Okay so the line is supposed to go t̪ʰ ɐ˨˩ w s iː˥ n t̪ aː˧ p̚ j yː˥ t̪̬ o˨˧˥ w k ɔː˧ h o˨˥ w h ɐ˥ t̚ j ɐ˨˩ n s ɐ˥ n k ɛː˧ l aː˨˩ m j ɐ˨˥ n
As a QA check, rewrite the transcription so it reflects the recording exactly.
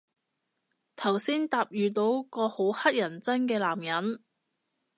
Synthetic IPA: t̪ʰ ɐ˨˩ w s iː˥ n t̪ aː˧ p̚ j yː˨ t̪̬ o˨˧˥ w k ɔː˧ h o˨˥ w h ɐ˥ t̚ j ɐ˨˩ n t͡s ɐ˥ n k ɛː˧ l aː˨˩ m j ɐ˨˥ n